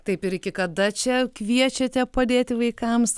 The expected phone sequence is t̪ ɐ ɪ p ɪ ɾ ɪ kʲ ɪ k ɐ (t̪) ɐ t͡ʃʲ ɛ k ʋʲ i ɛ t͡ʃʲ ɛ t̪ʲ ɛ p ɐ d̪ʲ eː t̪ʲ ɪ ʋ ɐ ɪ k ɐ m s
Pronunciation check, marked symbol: incorrect: d̪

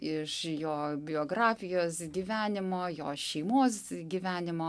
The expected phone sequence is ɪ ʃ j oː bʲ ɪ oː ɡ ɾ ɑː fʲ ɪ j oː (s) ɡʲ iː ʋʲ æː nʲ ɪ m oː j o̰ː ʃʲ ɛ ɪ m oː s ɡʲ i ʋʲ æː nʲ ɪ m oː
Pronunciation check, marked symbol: correct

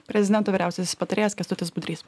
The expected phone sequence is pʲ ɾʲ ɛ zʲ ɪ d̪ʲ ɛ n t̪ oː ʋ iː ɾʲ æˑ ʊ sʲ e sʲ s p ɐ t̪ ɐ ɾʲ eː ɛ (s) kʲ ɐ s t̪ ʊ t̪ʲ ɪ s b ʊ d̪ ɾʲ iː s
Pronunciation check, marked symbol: correct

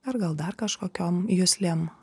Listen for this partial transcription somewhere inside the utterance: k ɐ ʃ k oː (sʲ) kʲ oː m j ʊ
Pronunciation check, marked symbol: incorrect: none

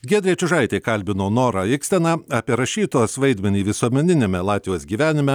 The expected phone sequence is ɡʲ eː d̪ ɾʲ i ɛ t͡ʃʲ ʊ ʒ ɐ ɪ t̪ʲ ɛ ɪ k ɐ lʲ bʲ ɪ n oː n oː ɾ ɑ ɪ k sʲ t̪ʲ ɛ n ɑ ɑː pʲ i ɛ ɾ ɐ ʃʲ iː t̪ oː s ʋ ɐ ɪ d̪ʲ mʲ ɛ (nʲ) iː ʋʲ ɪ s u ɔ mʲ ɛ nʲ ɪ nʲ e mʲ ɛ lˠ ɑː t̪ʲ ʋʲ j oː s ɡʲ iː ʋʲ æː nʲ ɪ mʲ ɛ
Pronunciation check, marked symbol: correct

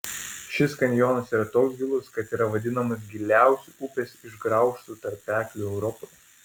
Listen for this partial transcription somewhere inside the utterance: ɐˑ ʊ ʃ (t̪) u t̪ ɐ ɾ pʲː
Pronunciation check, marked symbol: correct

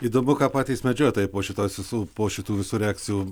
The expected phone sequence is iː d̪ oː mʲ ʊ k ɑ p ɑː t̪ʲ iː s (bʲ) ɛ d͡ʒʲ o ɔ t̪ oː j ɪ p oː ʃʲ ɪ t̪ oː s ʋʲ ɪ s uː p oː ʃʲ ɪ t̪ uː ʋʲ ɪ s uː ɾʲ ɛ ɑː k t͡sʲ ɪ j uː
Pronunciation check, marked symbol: incorrect: mʲ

